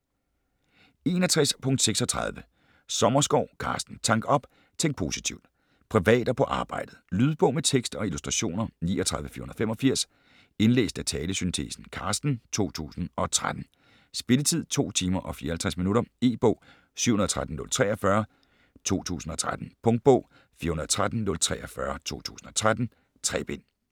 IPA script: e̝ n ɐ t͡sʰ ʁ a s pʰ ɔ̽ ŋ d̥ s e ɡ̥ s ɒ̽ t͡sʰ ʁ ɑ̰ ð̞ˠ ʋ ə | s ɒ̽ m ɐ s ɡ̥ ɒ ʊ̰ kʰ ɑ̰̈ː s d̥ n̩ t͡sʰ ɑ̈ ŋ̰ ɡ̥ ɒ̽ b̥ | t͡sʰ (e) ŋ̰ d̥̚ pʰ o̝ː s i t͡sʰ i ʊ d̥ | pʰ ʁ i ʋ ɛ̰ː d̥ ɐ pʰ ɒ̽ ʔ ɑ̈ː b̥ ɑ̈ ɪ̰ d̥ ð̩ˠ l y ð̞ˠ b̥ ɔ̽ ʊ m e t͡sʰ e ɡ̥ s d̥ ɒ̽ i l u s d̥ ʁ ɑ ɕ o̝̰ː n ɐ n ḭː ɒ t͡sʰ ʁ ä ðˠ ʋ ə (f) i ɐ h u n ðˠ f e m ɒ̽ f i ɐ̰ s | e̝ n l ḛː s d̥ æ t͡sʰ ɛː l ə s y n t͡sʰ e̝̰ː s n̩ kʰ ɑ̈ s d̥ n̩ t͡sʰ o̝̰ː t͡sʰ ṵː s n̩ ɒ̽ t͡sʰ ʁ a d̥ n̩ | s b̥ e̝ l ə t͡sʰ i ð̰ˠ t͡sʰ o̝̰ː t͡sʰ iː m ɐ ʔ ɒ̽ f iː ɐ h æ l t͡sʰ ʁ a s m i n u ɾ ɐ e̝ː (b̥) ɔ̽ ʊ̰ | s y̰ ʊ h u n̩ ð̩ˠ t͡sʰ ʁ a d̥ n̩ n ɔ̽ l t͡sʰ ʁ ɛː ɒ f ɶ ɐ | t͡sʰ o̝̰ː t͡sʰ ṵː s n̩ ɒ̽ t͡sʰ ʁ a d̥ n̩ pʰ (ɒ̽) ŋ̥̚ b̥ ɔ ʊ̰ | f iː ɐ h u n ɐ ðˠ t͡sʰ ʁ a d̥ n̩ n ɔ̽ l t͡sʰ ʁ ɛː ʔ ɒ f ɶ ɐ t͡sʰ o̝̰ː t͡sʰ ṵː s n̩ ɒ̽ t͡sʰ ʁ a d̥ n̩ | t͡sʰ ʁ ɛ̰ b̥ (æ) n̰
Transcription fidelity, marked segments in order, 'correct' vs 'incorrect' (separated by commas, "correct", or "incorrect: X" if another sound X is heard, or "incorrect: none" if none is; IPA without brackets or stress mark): correct, correct, correct, incorrect: ɔ̽, incorrect: e